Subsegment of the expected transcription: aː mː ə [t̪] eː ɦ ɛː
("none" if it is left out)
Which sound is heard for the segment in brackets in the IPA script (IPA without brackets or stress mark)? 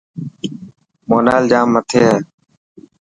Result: t̪ʰ